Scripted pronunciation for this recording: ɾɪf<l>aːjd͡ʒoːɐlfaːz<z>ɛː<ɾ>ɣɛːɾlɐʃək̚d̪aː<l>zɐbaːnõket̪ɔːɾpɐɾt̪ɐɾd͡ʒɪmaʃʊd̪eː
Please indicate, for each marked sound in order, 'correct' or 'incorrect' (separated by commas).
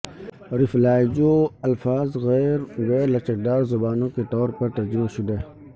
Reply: correct, incorrect, correct, incorrect